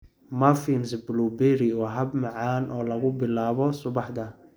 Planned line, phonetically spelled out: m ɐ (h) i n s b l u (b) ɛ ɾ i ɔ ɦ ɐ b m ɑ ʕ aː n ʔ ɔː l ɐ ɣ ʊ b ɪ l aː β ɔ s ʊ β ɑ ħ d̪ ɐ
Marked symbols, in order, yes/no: no, yes

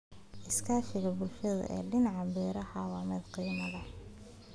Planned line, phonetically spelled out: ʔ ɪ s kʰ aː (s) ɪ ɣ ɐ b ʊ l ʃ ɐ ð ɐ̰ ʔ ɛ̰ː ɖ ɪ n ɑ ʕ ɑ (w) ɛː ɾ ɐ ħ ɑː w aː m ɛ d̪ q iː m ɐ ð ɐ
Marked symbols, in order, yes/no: no, no

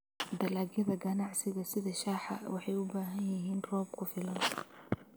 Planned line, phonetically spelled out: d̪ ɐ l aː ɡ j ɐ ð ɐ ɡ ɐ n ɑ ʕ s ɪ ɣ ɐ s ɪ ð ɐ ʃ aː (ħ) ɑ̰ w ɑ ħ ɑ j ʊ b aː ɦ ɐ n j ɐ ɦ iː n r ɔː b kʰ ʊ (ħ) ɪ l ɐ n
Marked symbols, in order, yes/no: yes, no

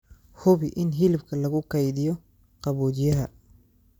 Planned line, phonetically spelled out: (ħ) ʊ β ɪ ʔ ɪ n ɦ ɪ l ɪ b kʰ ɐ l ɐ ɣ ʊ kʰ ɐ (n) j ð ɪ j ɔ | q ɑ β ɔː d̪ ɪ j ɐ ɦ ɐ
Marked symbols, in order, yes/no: no, no

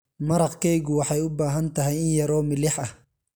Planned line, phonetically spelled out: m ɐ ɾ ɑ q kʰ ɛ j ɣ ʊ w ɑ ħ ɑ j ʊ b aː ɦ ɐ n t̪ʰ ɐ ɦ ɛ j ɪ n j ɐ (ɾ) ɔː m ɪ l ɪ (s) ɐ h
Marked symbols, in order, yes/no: yes, no

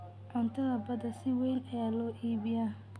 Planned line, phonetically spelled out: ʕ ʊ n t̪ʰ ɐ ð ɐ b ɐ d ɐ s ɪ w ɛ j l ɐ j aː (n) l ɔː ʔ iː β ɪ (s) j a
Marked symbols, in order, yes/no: no, no

